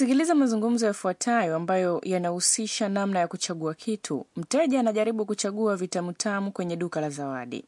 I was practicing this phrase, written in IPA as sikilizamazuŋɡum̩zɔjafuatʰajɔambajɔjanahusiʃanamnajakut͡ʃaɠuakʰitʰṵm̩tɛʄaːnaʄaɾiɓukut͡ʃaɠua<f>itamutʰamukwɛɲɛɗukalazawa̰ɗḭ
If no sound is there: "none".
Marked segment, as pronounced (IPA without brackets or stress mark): v